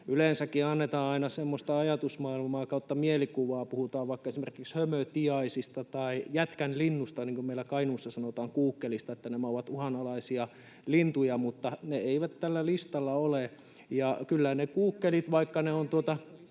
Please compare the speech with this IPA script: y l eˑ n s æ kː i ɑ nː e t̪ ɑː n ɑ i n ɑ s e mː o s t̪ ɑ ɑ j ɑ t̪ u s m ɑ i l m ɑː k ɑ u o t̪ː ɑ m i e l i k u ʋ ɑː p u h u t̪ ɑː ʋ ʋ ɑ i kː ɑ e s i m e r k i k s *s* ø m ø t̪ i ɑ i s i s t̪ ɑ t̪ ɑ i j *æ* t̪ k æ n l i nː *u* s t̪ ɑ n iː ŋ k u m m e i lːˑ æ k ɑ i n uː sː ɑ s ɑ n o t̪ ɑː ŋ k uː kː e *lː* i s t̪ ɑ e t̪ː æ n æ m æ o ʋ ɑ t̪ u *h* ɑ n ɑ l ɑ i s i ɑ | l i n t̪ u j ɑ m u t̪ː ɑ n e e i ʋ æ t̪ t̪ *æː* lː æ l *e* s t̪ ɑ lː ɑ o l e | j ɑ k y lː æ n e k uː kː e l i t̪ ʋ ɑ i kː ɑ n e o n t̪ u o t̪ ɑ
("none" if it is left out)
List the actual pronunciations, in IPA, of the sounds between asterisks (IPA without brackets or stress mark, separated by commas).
h, æ, u, l, h, æ, i